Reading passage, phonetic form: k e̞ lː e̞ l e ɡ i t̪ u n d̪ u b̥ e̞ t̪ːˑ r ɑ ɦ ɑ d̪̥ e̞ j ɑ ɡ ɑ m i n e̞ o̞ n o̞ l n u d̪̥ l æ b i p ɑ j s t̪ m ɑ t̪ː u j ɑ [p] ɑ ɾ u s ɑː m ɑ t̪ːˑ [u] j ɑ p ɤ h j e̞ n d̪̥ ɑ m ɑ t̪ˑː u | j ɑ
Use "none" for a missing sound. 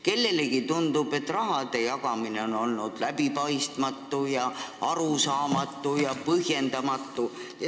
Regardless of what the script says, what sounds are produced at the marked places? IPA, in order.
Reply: none, u

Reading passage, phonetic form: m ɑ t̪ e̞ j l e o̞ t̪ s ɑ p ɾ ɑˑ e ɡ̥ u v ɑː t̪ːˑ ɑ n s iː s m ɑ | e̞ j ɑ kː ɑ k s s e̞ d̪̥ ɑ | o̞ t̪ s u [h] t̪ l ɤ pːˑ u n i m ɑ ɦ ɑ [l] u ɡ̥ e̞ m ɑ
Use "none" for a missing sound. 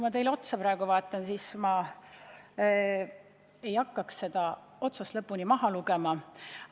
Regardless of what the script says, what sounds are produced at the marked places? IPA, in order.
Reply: s, l

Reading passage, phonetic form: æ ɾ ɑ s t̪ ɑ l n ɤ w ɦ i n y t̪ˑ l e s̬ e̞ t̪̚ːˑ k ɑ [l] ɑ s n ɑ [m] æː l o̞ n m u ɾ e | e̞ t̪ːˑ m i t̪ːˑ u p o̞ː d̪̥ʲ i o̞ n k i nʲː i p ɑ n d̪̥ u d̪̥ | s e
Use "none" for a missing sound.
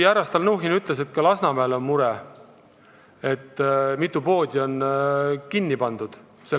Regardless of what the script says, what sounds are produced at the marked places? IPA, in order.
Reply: l, m

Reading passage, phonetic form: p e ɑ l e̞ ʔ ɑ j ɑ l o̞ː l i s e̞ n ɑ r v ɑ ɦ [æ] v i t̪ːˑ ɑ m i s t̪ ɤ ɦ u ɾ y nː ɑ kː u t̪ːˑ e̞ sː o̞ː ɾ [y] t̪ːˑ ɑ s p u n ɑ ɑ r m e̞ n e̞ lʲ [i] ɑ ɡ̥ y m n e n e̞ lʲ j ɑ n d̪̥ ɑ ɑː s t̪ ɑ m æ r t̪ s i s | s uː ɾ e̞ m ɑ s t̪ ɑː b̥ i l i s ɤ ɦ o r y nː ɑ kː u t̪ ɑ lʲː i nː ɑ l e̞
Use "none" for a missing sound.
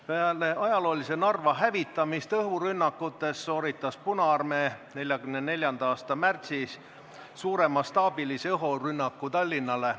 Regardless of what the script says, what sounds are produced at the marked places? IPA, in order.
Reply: æ, i, j

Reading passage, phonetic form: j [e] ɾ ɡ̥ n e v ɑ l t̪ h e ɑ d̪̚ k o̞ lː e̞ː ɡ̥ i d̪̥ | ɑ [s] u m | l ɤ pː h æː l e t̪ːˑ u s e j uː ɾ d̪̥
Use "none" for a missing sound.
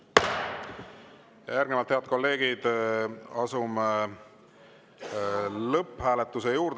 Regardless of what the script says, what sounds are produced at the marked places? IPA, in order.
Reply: æ, s

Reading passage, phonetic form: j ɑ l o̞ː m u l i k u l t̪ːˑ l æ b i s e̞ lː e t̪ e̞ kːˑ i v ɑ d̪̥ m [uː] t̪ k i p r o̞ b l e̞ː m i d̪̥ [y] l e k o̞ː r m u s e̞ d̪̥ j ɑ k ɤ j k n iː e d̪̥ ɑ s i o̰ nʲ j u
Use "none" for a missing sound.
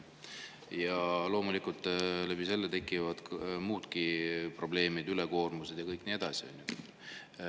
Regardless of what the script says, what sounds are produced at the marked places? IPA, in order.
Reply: uː, y

